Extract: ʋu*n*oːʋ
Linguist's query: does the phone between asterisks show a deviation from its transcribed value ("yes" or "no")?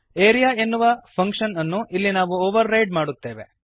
yes